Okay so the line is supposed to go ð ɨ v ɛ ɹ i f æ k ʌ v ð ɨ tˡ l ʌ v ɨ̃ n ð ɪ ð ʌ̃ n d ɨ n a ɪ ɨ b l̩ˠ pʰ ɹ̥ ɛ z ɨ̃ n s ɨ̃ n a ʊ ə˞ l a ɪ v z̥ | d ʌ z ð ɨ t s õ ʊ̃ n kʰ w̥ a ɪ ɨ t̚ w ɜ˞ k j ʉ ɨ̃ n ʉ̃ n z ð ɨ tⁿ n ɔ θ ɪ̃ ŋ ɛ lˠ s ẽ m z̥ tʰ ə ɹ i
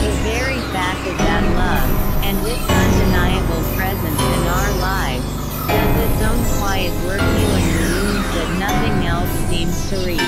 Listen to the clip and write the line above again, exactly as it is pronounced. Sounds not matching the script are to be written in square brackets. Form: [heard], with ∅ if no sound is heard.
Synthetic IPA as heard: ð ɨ v ɛ ɹ i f æ k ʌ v ð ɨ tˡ l ʌ v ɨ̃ n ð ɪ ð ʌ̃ n d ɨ n a ɪ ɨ b l̩ˠ pʰ ɹ̥ ɛ z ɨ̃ n s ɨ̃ n a ʊ ə˞ l a ɪ v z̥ | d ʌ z ð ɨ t s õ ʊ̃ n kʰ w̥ a ɪ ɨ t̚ w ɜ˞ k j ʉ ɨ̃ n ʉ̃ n z ð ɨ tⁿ n [ʌ] θ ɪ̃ ŋ ɛ lˠ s [ĩ] m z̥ tʰ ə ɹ i